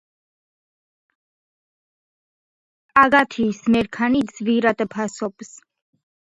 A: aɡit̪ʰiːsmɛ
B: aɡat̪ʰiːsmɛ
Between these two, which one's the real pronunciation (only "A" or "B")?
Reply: B